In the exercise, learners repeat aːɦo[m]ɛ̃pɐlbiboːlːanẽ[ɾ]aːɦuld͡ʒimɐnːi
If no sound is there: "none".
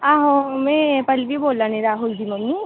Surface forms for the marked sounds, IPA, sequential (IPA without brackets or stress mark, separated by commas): m, ɾ